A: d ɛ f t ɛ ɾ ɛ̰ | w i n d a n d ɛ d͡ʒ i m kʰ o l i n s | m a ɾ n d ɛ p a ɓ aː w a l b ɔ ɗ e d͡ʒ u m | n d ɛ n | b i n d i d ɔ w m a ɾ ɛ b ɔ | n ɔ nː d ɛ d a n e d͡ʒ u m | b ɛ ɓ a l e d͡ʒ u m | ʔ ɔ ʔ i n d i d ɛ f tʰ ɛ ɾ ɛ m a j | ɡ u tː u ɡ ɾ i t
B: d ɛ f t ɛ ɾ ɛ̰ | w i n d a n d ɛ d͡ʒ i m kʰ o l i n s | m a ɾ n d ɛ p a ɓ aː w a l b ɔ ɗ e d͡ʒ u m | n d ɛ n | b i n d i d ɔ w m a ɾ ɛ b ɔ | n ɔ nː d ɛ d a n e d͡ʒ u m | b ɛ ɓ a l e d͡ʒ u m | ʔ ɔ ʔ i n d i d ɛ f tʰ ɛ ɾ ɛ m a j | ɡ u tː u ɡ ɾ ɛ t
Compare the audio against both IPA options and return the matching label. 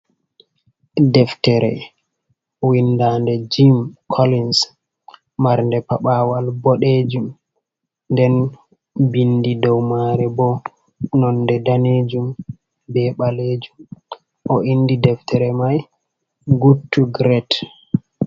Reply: B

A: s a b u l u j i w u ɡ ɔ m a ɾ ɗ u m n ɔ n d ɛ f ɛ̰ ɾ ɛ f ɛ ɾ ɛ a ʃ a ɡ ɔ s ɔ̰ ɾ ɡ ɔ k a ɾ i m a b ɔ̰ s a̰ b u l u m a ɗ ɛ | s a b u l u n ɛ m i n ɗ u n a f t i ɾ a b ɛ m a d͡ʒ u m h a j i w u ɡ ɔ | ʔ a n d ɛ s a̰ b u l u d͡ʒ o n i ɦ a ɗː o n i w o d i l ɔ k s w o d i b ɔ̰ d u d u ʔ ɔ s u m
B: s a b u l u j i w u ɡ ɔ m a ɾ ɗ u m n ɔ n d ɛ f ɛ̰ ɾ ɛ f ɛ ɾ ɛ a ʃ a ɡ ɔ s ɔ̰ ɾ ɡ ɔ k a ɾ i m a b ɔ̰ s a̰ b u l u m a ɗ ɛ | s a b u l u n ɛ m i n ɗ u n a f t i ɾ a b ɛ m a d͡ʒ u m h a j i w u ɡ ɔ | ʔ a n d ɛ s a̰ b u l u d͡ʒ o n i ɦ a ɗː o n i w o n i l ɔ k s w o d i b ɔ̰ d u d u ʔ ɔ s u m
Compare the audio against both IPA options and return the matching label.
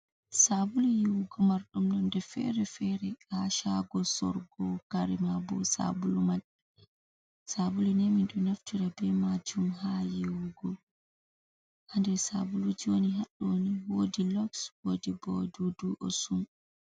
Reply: A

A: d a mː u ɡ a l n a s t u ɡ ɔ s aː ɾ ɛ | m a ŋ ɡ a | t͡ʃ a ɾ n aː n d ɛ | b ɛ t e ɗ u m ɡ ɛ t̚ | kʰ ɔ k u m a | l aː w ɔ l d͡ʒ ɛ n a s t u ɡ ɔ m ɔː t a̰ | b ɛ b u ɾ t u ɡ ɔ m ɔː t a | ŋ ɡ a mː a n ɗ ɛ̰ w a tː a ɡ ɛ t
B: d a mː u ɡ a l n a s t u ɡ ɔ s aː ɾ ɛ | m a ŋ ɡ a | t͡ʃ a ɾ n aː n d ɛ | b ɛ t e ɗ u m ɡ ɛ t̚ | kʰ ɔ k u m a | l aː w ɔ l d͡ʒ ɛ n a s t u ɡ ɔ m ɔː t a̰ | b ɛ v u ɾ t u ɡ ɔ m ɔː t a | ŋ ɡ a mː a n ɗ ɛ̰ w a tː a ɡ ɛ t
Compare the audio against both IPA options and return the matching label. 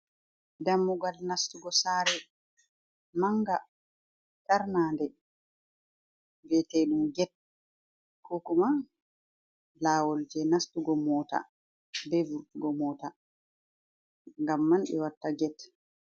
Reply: B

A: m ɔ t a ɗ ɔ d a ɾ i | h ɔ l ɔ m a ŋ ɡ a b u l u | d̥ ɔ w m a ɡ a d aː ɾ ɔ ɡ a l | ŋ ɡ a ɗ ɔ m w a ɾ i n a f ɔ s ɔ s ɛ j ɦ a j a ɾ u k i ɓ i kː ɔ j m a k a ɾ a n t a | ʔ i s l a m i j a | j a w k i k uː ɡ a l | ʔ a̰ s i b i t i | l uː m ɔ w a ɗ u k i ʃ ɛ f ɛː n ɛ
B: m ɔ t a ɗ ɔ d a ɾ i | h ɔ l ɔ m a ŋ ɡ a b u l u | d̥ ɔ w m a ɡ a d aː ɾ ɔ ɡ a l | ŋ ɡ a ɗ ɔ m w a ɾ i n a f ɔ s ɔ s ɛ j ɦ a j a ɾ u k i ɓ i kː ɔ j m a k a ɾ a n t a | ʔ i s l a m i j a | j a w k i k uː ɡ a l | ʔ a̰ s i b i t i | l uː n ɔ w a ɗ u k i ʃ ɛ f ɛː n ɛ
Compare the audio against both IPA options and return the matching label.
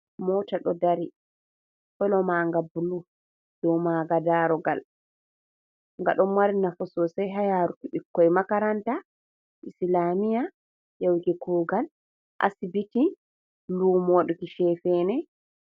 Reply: A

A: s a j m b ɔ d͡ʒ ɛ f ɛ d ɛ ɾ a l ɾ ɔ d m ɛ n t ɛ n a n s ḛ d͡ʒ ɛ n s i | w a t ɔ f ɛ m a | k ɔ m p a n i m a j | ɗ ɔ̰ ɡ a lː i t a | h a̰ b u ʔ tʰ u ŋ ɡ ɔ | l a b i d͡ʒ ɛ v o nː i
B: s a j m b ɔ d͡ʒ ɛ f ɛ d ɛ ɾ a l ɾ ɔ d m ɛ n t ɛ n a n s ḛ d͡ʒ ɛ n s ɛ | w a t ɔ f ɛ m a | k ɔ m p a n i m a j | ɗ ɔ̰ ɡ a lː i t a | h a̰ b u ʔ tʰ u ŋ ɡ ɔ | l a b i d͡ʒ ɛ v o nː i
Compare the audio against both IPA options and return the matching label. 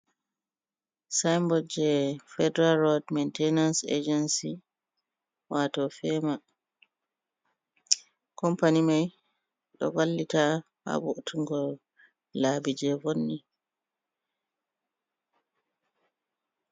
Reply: A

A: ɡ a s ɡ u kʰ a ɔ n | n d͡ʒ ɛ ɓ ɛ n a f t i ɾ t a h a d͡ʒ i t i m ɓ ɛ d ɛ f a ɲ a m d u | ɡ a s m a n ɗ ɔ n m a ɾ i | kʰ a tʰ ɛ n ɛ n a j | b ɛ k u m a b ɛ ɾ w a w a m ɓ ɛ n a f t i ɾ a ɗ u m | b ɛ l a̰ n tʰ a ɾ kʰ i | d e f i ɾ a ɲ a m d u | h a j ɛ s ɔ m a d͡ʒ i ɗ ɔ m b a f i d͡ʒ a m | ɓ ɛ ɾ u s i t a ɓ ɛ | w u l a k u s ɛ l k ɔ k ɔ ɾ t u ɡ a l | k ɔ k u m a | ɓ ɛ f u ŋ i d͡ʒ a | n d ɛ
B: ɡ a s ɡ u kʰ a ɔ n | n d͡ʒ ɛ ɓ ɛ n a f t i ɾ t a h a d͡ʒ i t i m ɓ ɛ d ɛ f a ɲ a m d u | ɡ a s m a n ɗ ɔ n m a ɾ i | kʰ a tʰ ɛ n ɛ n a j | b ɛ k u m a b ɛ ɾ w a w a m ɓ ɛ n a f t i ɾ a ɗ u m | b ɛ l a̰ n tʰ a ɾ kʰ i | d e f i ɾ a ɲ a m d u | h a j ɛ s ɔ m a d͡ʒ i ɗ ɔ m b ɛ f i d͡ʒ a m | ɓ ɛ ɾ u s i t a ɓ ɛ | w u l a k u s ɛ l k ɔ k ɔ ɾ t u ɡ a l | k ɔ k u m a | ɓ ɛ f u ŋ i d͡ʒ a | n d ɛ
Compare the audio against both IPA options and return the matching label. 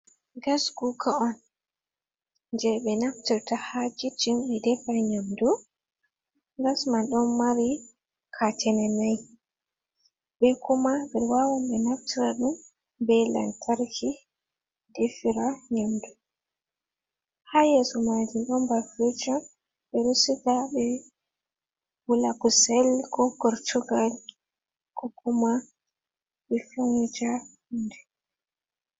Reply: A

